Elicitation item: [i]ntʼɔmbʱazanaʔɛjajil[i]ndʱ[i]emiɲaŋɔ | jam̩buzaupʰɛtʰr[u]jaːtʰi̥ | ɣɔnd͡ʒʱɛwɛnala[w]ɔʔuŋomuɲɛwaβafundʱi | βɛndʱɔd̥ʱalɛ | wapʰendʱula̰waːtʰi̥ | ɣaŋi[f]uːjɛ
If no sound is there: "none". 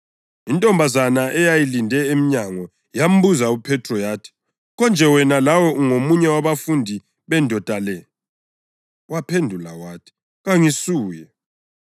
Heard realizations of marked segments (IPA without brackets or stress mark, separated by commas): i, i, ɛ, ɔ, w, s